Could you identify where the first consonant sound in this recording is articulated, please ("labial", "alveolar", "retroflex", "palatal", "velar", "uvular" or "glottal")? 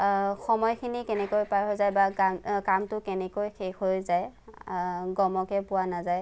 velar